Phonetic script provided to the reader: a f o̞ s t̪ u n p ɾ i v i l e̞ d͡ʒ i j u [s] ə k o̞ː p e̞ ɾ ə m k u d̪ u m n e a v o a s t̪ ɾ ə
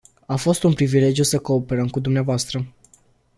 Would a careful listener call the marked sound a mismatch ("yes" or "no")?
no